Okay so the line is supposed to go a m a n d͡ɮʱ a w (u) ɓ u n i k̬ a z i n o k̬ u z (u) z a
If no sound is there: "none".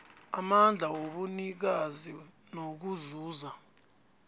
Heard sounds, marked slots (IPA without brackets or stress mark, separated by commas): o, uː